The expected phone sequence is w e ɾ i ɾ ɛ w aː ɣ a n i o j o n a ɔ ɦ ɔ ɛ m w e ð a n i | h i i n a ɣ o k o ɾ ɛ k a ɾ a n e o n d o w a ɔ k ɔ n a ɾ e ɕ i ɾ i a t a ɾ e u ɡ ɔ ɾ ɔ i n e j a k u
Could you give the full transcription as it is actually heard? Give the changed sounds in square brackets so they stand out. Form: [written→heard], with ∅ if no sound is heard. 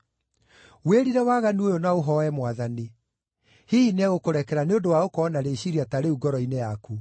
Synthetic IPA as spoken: w e ɾ i ɾ ɛ w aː ɣ a n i o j o n a [ɔ→o] ɦ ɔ ɛ m w [e→a] ð a n i | h i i n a ɣ o k o ɾ ɛ k [a→ɛ] ɾ a n e o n d o w a [ɔ→o] k ɔ n a ɾ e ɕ i ɾ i a t a ɾ e u ɡ ɔ ɾ ɔ i n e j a k u

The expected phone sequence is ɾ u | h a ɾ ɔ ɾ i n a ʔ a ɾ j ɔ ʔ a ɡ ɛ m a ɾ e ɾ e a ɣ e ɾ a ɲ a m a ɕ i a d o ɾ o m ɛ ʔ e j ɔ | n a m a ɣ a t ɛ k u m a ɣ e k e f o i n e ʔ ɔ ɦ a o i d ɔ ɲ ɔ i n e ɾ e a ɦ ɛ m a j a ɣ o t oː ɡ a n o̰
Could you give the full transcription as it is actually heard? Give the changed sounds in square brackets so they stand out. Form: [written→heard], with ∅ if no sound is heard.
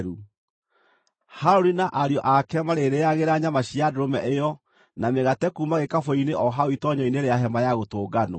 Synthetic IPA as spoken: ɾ u | h a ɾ [ɔ→o] ɾ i n a ʔ a ɾ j ɔ ʔ a [ɡ→k] ɛ m a ɾ e ɾ e a ɣ e ɾ a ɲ a m a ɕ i a d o ɾ o m ɛ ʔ e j ɔ | n a m [a→e] ɣ a t ɛ k u m a ɣ e k [e→a] f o i n e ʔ ɔ ɦ a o i [d→t] ɔ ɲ ɔ i n e ɾ e a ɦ ɛ m a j a ɣ o t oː ɡ a n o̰

